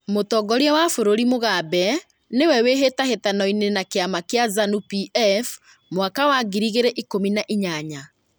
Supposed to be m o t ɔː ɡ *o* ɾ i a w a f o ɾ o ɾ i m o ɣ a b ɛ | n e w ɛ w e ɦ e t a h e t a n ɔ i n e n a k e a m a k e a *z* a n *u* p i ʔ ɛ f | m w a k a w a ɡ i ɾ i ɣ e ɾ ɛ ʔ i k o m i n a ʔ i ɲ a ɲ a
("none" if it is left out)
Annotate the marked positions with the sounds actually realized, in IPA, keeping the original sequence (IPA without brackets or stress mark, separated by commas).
ɔ, z, u